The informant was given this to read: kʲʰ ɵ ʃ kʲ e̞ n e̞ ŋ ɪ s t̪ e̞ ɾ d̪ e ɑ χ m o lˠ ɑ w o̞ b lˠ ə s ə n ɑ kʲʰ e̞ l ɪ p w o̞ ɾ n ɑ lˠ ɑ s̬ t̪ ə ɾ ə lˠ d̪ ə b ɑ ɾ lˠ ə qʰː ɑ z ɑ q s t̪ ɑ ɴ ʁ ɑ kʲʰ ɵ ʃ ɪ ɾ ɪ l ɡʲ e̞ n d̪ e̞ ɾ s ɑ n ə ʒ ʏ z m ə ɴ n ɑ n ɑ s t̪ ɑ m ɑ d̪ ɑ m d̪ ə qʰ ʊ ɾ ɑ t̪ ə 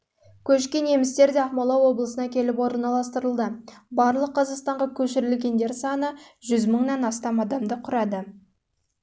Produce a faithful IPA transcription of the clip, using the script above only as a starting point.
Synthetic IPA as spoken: kʲʰ ɵ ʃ kʲ e̞ n e̞ m ɪ s t̪ e̞ ɾ d̪ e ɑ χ m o lˠ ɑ w o̞ b lˠ ə s ə n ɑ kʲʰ e̞ l ɪ p w o̞ ɾ n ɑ lˠ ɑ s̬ t̪ ə ɾ ə lˠ d̪ ə b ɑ ɾ lˠ ə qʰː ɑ z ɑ q s t̪ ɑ ɴ ʁ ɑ kʲʰ ɵ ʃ ɪ ɾ ɪ l ɡʲ e̞ n d̪ e̞ ɾ s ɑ n ə ʒ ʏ z m ə ɴ n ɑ n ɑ s t̪ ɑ m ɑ d̪ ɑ m d̪ ə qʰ ʊ ɾ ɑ d̪ ə